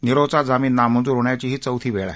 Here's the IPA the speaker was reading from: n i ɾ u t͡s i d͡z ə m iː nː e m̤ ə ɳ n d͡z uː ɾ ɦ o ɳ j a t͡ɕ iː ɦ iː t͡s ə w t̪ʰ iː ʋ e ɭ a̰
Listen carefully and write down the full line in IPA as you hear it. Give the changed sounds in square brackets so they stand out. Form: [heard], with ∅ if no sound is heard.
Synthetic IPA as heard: n i ɾ [o] t͡s [a] d͡z [a] m iː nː [a] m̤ ə [∅] n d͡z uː ɾ ɦ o ɳ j a t͡ɕ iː ɦ iː t͡s ə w t̪ʰ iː ʋ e ɭ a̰